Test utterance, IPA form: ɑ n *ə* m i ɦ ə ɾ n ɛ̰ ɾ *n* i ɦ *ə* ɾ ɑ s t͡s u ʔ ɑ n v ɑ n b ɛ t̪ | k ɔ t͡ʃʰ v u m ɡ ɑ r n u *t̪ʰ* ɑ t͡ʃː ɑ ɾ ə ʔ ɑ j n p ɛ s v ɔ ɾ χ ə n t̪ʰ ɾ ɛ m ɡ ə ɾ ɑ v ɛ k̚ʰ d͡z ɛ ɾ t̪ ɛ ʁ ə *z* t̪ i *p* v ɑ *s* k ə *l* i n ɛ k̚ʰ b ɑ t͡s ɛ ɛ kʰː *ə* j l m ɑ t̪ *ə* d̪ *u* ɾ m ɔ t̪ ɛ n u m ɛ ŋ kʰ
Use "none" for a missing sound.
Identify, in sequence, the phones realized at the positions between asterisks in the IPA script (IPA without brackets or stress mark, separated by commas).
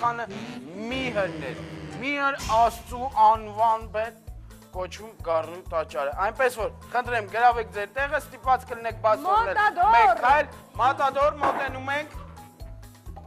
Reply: ə, m, ə, t̪, s, p, t͡s, l, ɑ, ɑ, ɔ